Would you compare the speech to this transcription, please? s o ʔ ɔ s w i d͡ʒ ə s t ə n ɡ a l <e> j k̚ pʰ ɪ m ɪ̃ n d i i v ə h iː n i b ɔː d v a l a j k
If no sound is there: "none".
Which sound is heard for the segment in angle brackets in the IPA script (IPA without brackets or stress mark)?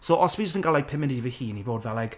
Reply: a